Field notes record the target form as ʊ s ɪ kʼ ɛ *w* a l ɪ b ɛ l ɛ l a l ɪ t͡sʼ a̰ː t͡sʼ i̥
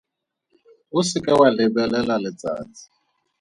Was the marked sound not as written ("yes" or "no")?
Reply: no